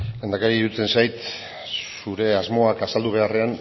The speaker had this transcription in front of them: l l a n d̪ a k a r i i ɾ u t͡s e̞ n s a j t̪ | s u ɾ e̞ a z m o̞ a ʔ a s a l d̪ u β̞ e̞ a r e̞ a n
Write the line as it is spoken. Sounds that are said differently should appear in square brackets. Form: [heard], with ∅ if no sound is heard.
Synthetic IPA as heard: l l [e] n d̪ a k a [ɾ] i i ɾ u t͡s e̞ n s a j t̪ | s u ɾ e̞ a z m o̞ a [k] a s a l d̪ u β̞ e̞ a r e̞ a n